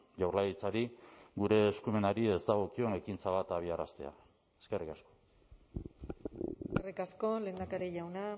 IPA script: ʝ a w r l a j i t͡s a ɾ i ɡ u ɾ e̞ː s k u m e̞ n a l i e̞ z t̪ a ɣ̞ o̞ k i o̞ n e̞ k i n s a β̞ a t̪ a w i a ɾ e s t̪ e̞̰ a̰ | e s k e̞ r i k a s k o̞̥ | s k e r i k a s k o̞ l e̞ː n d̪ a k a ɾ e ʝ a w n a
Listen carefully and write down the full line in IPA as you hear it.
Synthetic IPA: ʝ a w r l a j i t͡s a ɾ i ɡ u ɾ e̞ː s k u m e̞ n a ɾ i e̞ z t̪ a ɣ̞ o̞ k i o̞ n e̞ k i n t͡s a β̞ a t̪ a β i a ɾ a s t̪ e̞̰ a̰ | e s k e̞ r i k a s k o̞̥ | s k e r i k a s k o̞ l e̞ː n d̪ a k a ɾ e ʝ a w n a